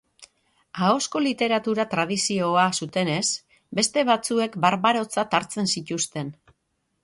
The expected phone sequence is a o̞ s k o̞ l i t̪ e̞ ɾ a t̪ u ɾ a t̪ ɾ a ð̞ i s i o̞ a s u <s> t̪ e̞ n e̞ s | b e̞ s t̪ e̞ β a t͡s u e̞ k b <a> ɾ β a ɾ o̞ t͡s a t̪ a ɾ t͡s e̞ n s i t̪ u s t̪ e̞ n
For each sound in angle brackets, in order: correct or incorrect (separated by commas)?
incorrect, correct